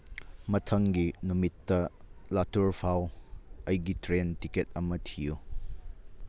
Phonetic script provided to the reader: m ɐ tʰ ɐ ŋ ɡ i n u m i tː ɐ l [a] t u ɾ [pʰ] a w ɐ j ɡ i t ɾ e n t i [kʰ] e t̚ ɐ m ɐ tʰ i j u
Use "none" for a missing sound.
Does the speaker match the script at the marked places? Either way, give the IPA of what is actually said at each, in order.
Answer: a, pʰ, k

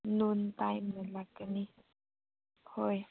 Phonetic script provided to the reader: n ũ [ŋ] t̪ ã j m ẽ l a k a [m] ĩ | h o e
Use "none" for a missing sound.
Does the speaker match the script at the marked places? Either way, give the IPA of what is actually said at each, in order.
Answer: n, n

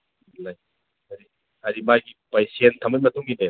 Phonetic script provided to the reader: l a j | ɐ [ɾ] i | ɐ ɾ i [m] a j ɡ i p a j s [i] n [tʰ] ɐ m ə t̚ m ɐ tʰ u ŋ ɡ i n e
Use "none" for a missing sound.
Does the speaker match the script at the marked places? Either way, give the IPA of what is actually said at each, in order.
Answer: ɾ, m, e, tʰ

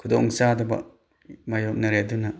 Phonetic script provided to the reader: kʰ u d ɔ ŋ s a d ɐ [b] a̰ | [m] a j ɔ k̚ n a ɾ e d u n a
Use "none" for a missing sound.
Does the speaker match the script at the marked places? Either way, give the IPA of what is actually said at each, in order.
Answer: b, m

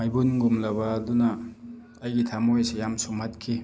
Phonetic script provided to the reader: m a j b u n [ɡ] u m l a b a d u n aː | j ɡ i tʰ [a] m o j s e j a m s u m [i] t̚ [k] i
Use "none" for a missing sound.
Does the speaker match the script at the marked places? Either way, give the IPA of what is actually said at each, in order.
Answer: ɡ, a, a, kʰ

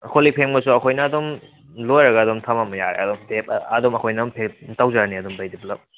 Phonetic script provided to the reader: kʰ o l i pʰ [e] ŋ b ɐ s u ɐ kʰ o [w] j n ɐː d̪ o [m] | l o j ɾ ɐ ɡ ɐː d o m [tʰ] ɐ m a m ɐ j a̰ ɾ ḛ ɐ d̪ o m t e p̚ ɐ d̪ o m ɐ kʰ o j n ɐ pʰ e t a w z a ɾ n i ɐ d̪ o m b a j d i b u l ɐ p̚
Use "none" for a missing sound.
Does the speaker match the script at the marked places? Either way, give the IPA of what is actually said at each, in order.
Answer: e, none, m, tʰ

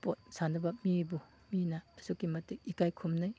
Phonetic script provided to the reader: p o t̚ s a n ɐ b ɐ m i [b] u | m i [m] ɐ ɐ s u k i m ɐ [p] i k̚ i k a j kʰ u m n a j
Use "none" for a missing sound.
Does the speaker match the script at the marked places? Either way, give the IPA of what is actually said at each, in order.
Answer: b, n, t

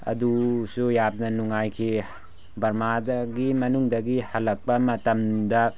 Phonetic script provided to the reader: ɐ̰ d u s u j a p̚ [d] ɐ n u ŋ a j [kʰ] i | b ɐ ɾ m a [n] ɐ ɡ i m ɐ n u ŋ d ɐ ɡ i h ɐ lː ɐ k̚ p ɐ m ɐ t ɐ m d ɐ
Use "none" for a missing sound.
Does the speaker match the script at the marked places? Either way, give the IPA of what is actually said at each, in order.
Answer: n, kʰ, d

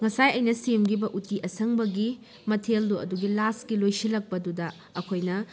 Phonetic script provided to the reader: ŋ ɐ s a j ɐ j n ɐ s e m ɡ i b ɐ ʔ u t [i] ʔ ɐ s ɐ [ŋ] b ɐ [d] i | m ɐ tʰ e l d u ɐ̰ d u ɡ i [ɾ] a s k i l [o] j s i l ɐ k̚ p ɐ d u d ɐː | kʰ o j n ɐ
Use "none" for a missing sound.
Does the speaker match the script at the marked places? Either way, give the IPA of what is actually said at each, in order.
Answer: i, ŋ, ɡ, l, o

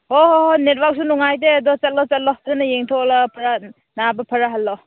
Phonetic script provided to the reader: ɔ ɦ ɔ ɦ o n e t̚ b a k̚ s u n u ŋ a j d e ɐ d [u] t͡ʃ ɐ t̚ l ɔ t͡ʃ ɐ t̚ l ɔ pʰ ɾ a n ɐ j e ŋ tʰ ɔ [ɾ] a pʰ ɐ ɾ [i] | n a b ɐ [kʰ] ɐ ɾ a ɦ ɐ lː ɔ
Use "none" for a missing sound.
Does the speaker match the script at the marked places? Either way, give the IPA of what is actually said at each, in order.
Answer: ɔ, l, a, pʰ

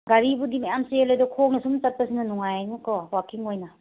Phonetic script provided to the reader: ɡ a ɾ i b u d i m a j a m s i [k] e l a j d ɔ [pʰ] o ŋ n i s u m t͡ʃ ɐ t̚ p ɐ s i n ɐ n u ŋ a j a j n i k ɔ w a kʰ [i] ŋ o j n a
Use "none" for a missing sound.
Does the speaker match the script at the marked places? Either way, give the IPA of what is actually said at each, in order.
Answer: none, kʰ, i

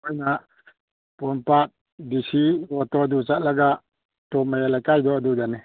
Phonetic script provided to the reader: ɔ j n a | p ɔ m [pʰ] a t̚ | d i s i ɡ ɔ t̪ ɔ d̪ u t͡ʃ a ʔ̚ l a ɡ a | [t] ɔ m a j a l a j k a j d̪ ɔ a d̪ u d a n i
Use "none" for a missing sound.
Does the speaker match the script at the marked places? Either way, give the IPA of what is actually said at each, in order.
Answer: p, t

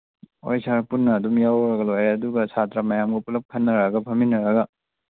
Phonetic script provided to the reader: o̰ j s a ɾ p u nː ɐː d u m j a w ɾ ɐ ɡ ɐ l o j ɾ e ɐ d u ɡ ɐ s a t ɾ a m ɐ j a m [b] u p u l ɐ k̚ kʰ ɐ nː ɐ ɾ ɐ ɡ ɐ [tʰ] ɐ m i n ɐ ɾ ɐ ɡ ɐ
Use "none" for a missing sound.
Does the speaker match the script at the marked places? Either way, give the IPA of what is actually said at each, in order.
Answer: ɡ, pʰ

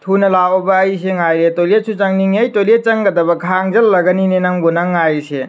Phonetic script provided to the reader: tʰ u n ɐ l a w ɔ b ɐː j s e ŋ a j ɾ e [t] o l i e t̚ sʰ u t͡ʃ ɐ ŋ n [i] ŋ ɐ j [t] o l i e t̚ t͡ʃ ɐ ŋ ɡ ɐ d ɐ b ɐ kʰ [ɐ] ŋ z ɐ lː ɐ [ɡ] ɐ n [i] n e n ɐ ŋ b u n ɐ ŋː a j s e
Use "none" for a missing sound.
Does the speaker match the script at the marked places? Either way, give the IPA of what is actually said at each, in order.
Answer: t, i, t, a, ɡ, i

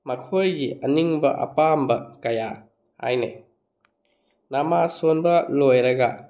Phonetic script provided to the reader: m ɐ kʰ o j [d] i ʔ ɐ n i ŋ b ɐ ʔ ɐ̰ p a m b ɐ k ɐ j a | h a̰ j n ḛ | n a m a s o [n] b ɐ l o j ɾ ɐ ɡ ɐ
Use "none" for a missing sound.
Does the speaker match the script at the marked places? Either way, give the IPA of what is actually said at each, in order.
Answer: ɡ, n

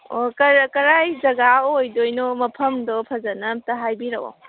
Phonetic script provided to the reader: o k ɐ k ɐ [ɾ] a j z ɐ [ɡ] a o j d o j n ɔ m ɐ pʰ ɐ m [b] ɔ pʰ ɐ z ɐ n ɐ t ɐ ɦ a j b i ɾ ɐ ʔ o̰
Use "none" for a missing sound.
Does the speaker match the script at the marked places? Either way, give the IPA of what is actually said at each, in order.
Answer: ɾ, ɡ, d

